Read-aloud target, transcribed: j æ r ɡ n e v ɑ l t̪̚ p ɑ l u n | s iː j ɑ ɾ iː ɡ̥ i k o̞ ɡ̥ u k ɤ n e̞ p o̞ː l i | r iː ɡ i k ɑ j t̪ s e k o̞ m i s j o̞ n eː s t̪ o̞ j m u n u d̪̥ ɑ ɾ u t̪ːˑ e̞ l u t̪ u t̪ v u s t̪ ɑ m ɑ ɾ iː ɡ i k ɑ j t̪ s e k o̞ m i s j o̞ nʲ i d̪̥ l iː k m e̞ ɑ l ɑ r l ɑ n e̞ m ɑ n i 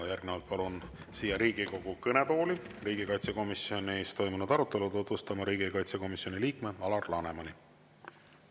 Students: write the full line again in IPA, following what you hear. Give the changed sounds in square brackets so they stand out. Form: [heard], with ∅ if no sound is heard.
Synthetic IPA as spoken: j æ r ɡ n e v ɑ l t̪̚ p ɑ l u n | s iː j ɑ ɾ iː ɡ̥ i k o̞ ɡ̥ u k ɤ n e̞ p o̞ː l i | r iː ɡ i k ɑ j t̪ s e k o̞ m i s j o̞ n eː s t̪ o̞ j m u n u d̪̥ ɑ ɾ u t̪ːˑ e̞ l u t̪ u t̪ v u s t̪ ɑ m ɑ ɾ iː ɡ i k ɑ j t̪ s e k o̞ m i s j o̞ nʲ i [∅] l iː k m e̞ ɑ l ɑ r l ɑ n e̞ m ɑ n i